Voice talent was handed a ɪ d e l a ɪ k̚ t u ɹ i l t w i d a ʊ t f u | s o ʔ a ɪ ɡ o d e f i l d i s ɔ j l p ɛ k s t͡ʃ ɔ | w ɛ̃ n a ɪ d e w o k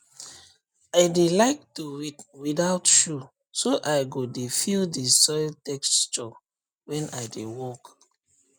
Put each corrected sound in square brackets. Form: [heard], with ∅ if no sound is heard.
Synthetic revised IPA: a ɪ d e l a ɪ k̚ t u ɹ i [∅] t w i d a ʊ t [ʃ] u | s o ʔ a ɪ ɡ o d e f i l d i s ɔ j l [t] ɛ k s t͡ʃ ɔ | w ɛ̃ n a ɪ d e w [ɔ] k